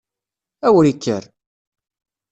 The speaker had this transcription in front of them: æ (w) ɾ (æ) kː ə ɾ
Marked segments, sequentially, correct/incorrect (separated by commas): correct, incorrect